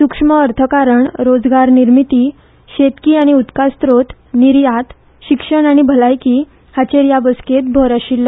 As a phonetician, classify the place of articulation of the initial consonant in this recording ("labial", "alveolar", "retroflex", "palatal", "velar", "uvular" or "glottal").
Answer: alveolar